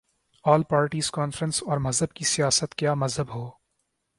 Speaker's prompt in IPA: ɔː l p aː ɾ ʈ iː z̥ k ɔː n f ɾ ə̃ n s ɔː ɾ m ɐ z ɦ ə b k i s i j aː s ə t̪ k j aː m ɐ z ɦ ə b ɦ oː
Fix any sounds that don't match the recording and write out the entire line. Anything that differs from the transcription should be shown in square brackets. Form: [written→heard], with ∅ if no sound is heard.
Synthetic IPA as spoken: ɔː l p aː ɾ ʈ iː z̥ k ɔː n f ɾ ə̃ n s ɔː ɾ m ɐ z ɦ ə b k i s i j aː s ə t̪ k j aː m ɐ z ɦ ə b ɦ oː